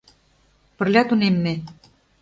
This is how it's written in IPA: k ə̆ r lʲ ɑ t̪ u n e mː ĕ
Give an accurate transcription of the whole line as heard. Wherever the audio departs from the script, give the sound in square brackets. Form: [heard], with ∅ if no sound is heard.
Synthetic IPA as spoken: [p] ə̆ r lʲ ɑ t̪ u n e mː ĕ